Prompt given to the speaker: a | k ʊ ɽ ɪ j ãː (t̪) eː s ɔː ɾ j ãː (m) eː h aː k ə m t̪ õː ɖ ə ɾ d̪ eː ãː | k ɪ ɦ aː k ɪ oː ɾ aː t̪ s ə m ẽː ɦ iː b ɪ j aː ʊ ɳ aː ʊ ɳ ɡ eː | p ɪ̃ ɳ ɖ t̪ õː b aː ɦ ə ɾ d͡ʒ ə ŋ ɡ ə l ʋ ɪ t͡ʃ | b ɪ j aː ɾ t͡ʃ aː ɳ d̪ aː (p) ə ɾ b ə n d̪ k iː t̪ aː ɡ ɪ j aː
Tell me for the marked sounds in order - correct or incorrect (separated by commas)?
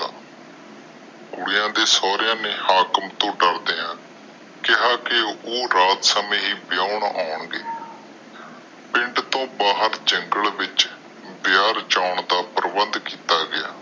incorrect, incorrect, correct